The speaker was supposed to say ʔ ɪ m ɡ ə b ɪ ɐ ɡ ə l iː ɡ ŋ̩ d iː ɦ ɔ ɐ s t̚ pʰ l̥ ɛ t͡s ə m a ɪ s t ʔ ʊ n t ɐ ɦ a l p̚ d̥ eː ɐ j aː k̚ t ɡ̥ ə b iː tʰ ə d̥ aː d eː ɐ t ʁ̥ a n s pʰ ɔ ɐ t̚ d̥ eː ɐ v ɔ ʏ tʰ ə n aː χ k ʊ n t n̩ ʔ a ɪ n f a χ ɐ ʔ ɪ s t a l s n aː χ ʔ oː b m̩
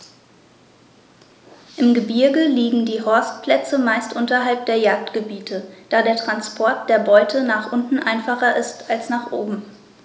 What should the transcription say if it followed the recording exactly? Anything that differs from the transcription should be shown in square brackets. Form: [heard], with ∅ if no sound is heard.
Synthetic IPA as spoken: ʔ ɪ m ɡ ə b ɪ ɐ ɡ ə l iː ɡ ŋ̩ d iː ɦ ɔ ɐ s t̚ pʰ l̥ ɛ t͡s ə m a ɪ s t ʔ ʊ n t ɐ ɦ a l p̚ d̥ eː ɐ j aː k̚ t ɡ̥ ə b iː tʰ ə d̥ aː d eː ɐ t ʁ̥ a n s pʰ ɔ ɐ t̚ d̥ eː ɐ [b] ɔ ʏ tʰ ə n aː χ [ʔ] ʊ n t n̩ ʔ a ɪ n f a χ ɐ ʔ ɪ s t a l s n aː χ ʔ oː b m̩